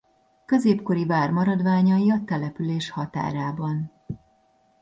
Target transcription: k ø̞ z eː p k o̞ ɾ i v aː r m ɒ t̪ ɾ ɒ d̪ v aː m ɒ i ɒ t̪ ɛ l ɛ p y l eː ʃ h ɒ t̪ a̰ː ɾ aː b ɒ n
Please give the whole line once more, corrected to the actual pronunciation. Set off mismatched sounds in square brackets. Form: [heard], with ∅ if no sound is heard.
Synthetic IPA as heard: k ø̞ z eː p k o̞ ɾ i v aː r m ɒ [∅] ɾ ɒ d̪ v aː [ɲ] ɒ i ɒ t̪ ɛ l ɛ p y l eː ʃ h ɒ t̪ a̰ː ɾ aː b ɒ n